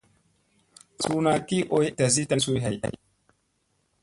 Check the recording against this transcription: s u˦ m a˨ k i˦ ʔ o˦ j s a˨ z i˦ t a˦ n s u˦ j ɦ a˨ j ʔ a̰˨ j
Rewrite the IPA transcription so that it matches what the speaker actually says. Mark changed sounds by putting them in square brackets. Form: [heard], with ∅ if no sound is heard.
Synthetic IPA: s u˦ [n] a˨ k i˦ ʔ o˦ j [t] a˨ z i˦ t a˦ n s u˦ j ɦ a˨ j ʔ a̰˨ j